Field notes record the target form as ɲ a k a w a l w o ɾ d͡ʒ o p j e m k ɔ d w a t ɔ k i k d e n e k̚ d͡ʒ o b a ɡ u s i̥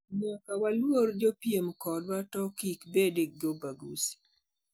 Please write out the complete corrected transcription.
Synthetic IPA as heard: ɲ a k a w a l w o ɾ d͡ʒ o p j e m k ɔ d w a t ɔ k i k b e d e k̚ d͡ʒ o b a ɡ u s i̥